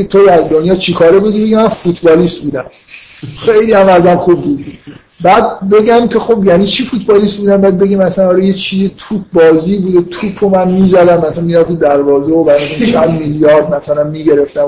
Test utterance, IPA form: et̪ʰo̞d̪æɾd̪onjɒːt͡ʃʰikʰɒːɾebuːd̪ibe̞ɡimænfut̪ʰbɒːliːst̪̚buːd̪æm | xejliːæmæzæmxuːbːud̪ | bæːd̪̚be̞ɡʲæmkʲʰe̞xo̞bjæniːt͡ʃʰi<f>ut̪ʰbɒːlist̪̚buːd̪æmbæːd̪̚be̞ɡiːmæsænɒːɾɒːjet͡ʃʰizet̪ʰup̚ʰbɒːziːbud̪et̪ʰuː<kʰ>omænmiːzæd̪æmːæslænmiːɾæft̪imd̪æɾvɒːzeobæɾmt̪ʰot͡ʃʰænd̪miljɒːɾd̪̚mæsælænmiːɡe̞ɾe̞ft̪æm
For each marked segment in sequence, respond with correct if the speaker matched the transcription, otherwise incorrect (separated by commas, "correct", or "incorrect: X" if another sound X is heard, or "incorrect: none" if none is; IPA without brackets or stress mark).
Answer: correct, incorrect: pʰ